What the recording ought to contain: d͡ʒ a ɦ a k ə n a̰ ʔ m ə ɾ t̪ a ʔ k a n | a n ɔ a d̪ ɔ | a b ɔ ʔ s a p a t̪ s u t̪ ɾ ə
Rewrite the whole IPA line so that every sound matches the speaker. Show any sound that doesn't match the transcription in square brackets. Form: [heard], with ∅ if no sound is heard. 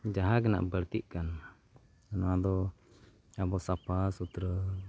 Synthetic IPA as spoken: d͡ʒ a ɦ a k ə n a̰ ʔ [b] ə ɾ t̪ [i] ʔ k a n | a n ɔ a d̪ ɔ | a b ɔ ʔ s a p a [∅] s u t̪ ɾ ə